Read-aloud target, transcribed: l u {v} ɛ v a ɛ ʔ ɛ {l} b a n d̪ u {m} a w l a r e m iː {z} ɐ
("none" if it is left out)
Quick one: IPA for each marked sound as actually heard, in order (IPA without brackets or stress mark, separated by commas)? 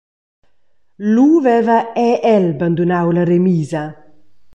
v, l, n, z